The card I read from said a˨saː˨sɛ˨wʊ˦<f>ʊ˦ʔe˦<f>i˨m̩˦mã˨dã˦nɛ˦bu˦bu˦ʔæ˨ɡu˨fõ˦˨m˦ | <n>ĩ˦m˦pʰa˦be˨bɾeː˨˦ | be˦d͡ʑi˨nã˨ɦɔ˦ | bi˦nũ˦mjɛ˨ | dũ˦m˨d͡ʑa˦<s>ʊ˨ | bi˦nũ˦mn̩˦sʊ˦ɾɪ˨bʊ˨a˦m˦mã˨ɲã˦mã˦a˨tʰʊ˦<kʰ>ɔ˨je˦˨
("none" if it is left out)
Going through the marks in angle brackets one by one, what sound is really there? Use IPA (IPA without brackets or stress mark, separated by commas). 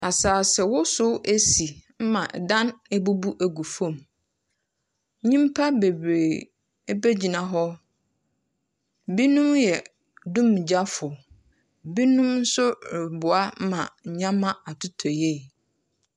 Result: s, s, ɲ, f, tʰ